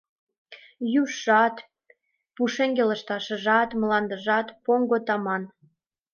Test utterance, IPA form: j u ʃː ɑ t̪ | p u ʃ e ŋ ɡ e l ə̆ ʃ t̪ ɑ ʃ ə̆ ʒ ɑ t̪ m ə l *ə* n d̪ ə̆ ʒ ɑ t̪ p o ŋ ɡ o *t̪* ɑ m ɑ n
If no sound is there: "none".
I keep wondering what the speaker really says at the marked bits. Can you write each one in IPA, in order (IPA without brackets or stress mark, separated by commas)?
ɑ, t̪